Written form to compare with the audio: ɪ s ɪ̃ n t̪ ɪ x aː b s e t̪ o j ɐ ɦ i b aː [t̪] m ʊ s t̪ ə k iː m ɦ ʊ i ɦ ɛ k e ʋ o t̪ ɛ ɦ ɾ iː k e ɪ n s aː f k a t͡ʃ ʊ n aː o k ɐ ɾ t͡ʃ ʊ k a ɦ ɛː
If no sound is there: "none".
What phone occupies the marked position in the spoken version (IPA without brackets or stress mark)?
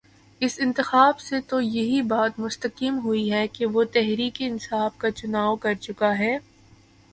t̪